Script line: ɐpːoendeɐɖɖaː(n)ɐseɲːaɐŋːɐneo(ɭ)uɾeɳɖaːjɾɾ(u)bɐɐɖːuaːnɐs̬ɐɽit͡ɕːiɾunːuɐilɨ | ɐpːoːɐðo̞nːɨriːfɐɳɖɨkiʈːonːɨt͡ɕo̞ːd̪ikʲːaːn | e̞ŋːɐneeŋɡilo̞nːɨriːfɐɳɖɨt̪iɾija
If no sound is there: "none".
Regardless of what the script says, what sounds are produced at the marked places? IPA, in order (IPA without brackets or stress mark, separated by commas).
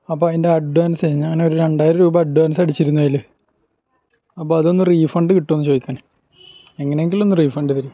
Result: n, ɾ, uː